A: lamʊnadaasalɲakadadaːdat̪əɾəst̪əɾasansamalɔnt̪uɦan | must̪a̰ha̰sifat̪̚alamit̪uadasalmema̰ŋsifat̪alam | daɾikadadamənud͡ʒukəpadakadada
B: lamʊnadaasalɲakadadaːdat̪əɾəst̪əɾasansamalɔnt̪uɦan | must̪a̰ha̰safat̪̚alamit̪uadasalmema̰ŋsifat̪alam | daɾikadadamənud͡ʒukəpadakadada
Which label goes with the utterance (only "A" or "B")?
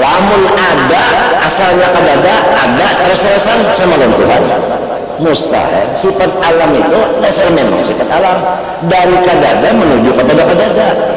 A